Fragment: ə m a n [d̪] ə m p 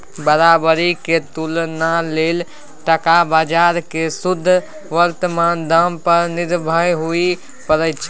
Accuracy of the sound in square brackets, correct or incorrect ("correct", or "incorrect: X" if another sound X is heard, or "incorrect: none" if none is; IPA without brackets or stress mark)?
correct